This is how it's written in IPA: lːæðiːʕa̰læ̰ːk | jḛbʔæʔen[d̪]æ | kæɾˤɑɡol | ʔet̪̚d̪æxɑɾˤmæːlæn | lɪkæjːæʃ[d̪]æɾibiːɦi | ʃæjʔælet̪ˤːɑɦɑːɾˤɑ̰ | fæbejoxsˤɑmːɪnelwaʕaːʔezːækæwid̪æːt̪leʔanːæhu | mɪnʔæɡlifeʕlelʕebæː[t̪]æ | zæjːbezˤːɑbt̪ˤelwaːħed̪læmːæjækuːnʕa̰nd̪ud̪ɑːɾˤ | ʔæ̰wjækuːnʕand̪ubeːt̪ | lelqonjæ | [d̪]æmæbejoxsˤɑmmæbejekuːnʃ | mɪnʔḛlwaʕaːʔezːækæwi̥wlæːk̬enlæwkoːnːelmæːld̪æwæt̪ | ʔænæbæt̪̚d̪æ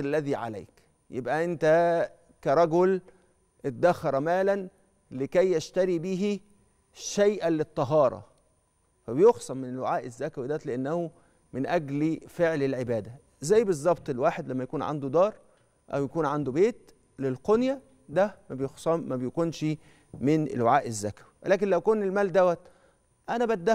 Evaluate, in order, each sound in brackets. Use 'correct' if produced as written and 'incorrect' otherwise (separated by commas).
incorrect, incorrect, incorrect, correct